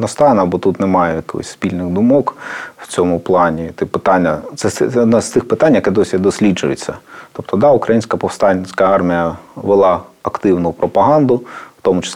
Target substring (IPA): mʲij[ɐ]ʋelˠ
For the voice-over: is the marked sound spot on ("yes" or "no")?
yes